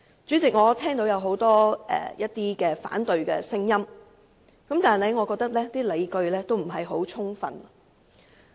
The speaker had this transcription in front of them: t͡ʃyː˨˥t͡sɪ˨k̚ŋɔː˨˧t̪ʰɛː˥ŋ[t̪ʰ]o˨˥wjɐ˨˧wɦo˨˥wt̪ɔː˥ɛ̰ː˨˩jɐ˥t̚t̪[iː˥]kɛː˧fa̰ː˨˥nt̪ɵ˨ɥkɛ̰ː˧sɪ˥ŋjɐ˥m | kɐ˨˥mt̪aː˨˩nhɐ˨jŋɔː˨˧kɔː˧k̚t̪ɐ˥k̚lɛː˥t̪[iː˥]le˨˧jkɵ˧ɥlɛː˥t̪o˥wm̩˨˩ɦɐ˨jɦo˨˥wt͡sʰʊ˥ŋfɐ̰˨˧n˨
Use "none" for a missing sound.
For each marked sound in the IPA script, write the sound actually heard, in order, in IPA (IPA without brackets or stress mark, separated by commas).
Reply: t̪, iː˥, iː˥